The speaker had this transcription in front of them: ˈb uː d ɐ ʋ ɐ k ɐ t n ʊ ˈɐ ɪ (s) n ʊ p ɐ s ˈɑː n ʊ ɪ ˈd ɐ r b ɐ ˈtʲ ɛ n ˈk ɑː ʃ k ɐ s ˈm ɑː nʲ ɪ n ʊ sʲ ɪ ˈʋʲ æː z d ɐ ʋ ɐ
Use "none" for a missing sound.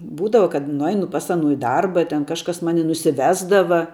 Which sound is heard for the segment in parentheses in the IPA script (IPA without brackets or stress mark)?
none